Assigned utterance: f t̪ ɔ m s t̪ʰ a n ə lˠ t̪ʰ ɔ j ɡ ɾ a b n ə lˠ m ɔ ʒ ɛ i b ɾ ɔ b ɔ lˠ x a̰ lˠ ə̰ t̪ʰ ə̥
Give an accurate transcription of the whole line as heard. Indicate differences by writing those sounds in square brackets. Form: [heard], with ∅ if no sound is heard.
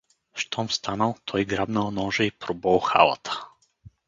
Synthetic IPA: [ʃ] t̪ ɔ m s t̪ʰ a n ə lˠ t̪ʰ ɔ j ɡ ɾ a b n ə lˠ [n] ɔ ʒ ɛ i [p] ɾ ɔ b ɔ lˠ x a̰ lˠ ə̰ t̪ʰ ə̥